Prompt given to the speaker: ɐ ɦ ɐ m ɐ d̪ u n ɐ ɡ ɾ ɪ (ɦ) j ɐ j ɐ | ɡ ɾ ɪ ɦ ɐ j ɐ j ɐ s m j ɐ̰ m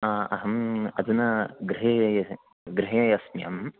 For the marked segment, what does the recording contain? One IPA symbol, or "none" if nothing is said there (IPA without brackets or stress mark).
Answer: ɦ